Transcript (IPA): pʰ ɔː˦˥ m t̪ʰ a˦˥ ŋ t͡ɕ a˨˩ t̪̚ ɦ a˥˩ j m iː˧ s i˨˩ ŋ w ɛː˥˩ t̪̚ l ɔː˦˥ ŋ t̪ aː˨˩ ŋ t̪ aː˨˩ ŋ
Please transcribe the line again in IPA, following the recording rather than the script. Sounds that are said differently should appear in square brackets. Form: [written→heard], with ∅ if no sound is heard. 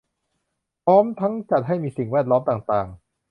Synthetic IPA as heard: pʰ ɔː˦˥ m t̪ʰ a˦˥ ŋ t͡ɕ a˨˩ t̪̚ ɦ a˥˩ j m iː˧ s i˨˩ ŋ w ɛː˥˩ t̪̚ l ɔː˦˥ [ŋ→m] t̪ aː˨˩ ŋ t̪ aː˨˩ ŋ